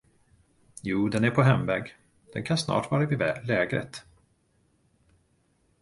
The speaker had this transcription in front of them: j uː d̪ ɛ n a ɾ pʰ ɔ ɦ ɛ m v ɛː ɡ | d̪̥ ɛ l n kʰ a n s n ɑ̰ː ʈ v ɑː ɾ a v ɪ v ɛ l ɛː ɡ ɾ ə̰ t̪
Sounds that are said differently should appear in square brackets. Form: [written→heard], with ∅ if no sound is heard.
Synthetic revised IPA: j uː d̪ ɛ n [a→æ] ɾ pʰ ɔ ɦ ɛ m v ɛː ɡ | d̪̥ ɛ [l→∅] n kʰ a n s n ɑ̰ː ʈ v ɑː ɾ a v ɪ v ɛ l ɛː ɡ ɾ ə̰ t̪